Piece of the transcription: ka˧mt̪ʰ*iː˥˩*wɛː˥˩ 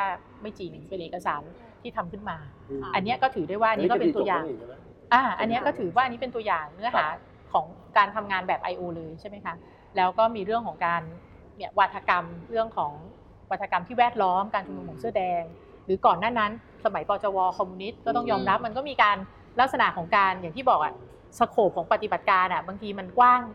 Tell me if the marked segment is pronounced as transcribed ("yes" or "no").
yes